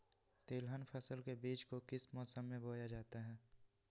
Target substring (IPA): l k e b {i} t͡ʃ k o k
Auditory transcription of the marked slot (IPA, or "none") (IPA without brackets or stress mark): iː